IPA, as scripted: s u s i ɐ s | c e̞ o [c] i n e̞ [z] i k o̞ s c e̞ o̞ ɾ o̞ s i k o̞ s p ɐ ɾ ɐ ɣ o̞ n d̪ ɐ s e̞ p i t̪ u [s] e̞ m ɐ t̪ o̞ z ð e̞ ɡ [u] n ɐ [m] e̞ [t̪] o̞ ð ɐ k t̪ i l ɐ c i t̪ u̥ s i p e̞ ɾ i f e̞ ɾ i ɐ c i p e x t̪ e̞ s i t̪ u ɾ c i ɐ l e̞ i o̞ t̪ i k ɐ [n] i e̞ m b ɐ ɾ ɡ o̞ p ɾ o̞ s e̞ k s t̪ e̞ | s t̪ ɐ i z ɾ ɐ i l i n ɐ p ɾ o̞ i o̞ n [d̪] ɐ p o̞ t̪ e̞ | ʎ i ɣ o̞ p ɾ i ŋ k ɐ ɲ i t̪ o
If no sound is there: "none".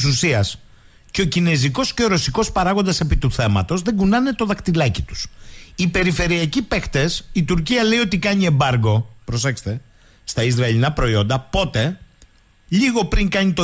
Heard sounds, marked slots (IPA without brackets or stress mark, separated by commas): c, z, θ, u, n, t̪, ɲ, d̪